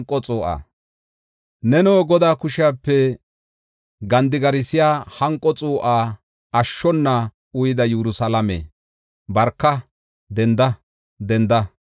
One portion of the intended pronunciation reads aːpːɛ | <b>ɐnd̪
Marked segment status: incorrect: ɡ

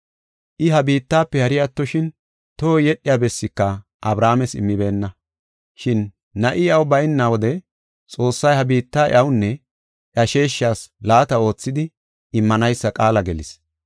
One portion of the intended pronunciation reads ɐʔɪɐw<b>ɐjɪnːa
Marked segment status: correct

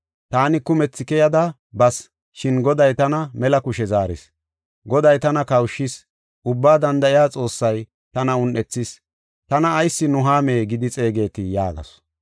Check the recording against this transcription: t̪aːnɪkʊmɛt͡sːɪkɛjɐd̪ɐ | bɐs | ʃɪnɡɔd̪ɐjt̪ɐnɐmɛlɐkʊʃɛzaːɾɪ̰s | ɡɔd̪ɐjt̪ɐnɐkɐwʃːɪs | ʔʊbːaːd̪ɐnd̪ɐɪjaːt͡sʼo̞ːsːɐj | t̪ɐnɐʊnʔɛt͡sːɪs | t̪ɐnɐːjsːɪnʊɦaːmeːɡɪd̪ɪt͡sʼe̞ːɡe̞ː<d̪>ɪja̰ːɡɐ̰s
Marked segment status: incorrect: t̪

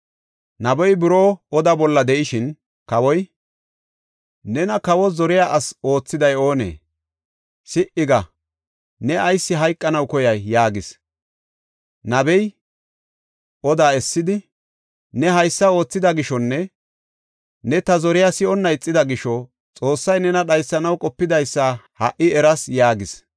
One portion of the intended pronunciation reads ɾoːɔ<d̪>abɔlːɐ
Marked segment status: correct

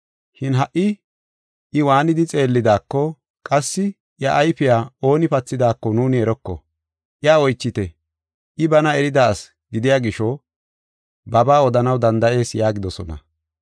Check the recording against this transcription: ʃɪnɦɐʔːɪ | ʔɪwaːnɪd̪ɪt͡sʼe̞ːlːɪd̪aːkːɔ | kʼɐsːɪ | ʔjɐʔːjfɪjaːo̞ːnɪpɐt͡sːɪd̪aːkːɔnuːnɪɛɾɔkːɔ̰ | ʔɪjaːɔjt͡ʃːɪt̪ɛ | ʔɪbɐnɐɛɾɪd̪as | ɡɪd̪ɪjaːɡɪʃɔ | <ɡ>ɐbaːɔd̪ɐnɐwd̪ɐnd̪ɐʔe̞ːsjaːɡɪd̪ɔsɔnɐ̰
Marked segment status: incorrect: b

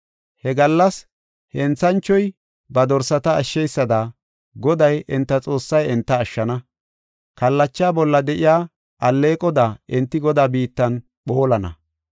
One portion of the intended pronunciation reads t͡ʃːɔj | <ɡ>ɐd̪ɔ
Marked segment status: incorrect: b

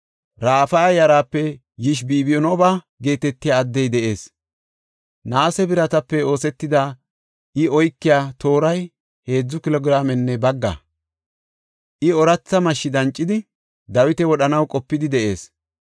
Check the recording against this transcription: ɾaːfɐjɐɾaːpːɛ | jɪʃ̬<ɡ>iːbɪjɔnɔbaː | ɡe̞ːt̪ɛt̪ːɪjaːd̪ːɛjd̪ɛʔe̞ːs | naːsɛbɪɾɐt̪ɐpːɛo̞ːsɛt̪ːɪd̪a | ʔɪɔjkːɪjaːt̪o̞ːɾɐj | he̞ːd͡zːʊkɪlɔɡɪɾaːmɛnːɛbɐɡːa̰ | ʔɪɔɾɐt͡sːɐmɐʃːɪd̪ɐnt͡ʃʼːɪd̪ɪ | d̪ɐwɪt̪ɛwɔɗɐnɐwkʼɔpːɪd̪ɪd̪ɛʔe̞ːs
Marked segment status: incorrect: b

